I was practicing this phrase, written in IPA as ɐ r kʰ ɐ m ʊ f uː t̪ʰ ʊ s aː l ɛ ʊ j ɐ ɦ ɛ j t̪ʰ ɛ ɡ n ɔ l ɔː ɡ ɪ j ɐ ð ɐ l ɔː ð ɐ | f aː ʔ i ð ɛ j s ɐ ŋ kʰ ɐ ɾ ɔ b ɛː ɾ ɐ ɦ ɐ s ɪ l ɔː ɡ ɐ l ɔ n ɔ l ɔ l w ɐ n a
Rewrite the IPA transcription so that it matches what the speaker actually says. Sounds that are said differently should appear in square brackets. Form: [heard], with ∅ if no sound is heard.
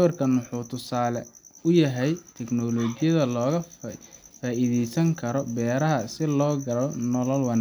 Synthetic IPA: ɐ r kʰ ɐ [n] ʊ [ħ] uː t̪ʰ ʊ s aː l ɛ ʊ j ɐ ɦ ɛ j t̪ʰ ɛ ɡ n ɔ l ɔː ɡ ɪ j ɐ ð ɐ l ɔː [ɣ] ɐ | f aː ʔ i ð ɛ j s ɐ ŋ kʰ ɐ ɾ ɔ b ɛː ɾ ɐ ɦ ɐ s ɪ l ɔː ɡ ɐ l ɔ n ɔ l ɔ l w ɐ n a